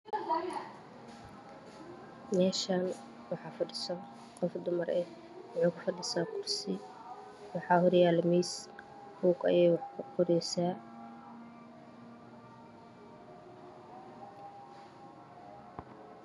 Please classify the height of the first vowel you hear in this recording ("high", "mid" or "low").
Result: mid